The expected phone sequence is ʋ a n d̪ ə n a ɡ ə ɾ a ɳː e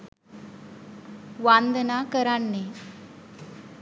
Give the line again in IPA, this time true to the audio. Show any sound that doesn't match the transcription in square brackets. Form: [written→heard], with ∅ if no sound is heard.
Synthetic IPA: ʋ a n d̪ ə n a [ɡ→k] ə ɾ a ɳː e